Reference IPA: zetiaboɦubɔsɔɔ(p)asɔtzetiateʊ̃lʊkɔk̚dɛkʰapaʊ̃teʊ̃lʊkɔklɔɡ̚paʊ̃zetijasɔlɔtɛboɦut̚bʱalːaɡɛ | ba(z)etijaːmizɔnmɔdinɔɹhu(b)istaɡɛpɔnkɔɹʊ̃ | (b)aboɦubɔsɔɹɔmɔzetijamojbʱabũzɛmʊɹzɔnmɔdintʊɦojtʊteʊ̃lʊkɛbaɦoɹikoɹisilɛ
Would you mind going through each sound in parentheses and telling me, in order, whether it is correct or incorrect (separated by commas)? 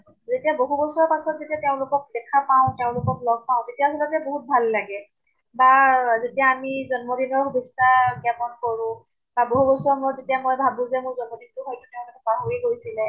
correct, correct, correct, correct